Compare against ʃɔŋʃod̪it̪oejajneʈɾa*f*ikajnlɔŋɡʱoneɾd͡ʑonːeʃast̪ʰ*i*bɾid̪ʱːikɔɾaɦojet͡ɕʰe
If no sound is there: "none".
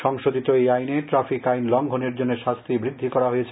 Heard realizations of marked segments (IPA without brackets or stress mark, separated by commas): f, i